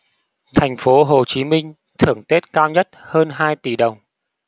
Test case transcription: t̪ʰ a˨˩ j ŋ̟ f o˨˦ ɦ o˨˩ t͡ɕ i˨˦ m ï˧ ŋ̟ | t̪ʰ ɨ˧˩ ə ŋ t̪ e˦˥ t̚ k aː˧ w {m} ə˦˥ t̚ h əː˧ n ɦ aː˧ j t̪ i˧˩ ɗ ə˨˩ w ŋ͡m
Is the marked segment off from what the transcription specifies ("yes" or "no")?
yes